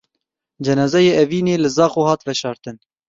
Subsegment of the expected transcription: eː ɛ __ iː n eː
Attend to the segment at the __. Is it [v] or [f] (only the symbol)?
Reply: v